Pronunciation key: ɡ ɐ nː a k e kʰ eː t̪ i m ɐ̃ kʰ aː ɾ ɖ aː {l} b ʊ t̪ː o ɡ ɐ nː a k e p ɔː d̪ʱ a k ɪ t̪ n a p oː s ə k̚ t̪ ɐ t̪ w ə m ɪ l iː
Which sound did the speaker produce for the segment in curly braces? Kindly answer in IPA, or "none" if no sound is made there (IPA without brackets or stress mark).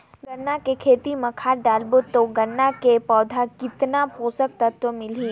l